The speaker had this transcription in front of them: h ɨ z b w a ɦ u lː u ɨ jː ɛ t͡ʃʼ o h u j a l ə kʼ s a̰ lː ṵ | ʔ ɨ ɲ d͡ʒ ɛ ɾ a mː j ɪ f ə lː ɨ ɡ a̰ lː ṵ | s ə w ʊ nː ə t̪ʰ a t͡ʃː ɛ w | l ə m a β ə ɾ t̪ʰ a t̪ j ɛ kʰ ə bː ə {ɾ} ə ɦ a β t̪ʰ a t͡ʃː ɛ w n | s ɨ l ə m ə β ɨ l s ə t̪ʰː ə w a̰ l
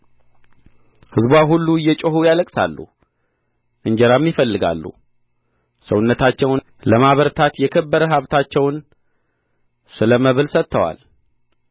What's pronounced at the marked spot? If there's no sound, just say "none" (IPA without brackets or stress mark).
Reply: ɾ